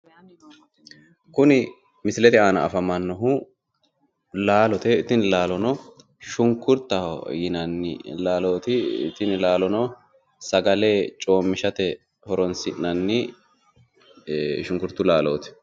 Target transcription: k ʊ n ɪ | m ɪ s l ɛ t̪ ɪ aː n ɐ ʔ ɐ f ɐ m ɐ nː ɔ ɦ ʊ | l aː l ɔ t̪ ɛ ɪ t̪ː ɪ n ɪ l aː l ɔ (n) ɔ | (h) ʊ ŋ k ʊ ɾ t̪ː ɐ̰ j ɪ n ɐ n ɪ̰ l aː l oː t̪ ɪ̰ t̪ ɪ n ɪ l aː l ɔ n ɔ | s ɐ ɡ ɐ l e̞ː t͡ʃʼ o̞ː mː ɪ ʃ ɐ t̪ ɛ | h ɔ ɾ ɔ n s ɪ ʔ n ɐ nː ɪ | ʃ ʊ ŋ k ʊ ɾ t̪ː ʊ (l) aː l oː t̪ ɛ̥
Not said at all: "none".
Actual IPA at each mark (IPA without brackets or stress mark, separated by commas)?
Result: n, ʃ, l